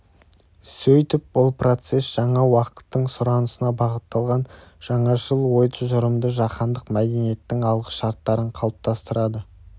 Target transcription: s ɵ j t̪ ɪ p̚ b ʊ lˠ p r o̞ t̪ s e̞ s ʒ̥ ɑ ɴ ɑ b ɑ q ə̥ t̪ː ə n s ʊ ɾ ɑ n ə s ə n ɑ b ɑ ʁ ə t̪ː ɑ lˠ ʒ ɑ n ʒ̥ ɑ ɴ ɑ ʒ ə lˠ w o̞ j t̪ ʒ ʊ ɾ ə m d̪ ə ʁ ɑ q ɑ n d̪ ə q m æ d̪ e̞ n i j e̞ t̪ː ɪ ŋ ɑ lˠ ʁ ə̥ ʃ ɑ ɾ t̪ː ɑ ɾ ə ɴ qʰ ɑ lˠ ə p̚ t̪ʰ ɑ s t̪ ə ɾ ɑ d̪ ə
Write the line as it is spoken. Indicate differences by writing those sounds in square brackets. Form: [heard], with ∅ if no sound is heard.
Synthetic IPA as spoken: s ɵ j t̪ ɪ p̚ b ʊ lˠ p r o̞ t̪ s e̞ s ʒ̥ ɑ ɴ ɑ [w] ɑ q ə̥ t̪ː ə [ɴ] s ʊ ɾ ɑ n ə s ə n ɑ b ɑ ʁ ə t̪ː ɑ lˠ [ʁ] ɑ n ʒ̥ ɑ ɴ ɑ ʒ ə lˠ w o̞ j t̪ ʒ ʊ ɾ ə m d̪ ə [ʒ] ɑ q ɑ n d̪ ə q m æ d̪ e̞ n i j e̞ t̪ː ɪ ŋ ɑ lˠ ʁ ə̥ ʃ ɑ ɾ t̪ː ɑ ɾ ə ɴ qʰ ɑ lˠ ə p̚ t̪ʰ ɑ s t̪ ə ɾ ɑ d̪ ə